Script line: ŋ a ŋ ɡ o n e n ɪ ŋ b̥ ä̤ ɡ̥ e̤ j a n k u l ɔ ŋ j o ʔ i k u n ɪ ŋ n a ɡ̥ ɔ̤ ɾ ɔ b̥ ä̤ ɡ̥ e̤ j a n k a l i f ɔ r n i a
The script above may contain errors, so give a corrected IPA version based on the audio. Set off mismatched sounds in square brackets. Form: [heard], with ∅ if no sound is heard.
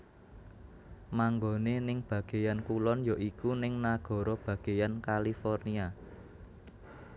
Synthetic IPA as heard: [m] a ŋ ɡ o n e n ɪ ŋ b̥ ä̤ ɡ̥ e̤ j a n k u l ɔ [n] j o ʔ i k u n ɪ ŋ n a ɡ̥ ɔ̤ ɾ ɔ b̥ ä̤ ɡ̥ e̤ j a n k a l i f ɔ r n i a